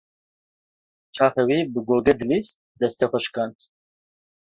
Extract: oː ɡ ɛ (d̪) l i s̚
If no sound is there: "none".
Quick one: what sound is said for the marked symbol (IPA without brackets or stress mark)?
d̪